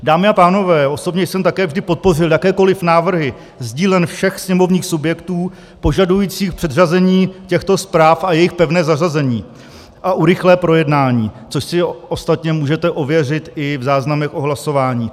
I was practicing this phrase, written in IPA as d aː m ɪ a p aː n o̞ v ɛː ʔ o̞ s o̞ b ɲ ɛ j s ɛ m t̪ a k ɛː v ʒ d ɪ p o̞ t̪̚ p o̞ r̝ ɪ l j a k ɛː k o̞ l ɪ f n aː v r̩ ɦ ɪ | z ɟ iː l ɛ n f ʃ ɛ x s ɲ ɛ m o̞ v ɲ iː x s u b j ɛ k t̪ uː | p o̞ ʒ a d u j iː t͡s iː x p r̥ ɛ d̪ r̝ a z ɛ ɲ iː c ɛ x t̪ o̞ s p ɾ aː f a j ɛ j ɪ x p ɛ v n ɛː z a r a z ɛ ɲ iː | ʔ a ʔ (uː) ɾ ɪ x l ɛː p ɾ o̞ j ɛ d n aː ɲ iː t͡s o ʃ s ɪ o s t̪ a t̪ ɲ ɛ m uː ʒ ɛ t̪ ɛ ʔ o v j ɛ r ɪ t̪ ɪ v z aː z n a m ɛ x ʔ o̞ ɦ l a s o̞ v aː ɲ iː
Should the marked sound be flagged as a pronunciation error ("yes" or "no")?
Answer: yes